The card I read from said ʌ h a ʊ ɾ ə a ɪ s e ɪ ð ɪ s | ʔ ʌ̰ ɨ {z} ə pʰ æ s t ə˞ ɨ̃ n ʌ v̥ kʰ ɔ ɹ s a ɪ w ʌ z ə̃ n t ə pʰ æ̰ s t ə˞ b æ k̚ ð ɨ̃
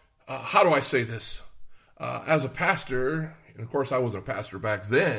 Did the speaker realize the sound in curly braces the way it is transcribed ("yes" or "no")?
yes